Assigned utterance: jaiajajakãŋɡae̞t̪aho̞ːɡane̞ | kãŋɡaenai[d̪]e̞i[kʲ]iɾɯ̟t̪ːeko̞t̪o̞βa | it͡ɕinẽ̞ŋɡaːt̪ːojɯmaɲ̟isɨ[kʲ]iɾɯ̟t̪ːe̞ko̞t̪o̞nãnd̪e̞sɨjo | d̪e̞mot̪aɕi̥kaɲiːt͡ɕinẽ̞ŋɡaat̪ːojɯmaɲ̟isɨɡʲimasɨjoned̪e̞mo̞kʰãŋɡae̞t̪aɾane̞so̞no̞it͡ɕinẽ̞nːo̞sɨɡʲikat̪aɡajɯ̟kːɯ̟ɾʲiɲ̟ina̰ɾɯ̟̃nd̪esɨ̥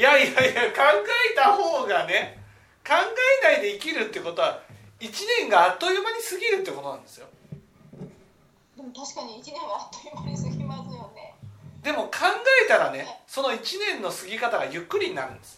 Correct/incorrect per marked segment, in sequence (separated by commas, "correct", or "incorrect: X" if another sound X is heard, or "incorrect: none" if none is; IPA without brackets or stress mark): correct, correct, incorrect: ɡʲ